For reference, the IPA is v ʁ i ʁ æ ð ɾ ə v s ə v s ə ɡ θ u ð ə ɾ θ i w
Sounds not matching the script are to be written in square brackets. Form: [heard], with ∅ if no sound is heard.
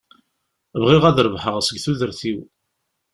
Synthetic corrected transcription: v ʁ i ʁ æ ð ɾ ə v [ħ] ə [ʁ] s ə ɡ θ u ð ə ɾ θ i w